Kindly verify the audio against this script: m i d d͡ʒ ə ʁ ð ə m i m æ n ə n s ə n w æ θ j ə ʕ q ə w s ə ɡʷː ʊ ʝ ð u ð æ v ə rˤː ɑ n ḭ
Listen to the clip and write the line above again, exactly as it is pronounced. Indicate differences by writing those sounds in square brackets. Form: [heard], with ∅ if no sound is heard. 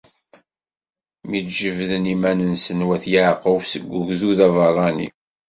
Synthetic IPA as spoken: m i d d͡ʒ ə [v] ð ə [n] i m æ n ə n s ə n w æ θ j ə ʕ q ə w s ə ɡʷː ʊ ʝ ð u ð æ v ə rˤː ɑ n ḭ